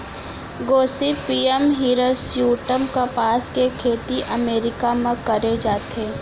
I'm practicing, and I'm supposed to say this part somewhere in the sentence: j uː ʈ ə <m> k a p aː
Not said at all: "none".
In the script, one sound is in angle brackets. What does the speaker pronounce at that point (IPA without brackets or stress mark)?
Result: m